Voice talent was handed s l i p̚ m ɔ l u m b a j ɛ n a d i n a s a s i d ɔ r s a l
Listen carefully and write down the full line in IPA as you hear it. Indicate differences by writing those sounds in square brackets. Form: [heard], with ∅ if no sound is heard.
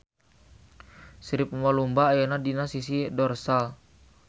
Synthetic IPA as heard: s [ɾ] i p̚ m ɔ l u m b a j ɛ n a d i n a s [i] s i d ɔ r s a l